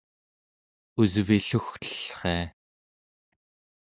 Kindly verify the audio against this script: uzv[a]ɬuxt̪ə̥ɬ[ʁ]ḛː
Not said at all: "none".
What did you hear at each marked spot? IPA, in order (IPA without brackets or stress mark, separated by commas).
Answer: i, χ